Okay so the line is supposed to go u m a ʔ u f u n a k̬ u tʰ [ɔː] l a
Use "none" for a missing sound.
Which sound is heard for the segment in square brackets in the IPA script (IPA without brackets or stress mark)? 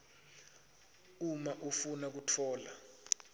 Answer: ɔː